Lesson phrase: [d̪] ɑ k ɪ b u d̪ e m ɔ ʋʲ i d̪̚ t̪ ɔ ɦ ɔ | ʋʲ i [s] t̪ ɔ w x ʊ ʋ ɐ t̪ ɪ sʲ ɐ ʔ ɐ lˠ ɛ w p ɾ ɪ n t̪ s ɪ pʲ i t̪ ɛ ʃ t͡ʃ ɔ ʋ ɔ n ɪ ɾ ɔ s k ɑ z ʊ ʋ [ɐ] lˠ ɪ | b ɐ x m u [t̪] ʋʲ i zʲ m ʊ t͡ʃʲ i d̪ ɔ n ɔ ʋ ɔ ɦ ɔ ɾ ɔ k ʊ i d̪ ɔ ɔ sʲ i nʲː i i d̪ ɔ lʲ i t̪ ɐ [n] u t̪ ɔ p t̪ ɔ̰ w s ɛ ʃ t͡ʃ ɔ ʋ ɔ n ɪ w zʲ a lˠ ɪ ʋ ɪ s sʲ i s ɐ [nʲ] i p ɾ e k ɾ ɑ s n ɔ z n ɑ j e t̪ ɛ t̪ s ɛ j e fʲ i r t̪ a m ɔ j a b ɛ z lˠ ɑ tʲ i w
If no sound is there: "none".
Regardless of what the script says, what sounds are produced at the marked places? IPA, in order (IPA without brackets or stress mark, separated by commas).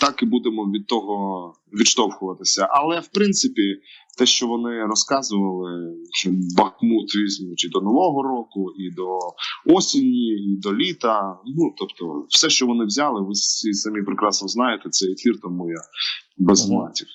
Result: t̪, ʃ, ɐ, t̪, n, mʲ